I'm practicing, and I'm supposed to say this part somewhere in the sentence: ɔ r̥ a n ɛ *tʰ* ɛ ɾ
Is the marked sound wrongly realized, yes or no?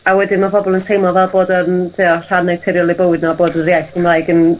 no